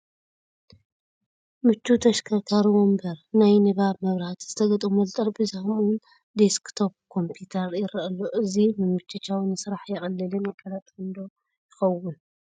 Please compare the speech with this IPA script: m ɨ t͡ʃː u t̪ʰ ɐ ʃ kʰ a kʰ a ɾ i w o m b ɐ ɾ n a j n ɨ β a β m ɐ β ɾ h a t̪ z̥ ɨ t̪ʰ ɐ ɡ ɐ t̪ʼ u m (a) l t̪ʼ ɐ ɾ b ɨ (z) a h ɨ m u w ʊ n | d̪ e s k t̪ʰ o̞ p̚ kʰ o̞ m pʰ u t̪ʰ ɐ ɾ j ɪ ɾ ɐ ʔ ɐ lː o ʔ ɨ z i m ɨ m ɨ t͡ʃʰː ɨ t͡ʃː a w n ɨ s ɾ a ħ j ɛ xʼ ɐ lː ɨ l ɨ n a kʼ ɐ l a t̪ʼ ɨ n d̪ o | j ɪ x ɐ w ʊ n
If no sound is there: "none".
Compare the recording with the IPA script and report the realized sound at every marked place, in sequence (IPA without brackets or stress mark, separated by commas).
ɐ, z